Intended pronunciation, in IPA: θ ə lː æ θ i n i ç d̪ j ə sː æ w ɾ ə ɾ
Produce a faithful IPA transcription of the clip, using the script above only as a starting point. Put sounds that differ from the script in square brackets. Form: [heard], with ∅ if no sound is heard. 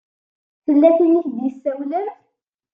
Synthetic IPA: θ ə lː æ θ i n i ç d̪ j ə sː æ w [l] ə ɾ